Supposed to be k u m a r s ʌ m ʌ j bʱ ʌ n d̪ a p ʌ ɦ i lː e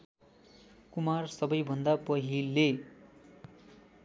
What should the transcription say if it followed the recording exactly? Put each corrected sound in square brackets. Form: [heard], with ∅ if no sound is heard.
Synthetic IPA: k u m a r s ʌ [b] ʌ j bʱ ʌ n d̪ a p ʌ ɦ i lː e

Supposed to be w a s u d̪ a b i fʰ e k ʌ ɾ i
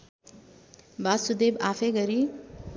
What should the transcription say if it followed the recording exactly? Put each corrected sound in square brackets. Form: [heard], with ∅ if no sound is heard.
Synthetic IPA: [b] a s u d̪ [e] b [a] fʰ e [ɡ] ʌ ɾ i

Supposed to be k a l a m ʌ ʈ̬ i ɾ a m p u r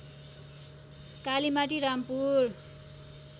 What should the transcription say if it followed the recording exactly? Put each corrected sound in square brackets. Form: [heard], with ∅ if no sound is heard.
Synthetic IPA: k a l [i] m [a] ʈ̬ i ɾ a m p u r

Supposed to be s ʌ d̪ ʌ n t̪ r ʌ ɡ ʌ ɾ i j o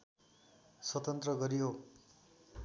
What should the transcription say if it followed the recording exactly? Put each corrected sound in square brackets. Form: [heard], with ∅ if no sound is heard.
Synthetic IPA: s ʌ [t̪] ʌ n t̪ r ʌ ɡ ʌ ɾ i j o

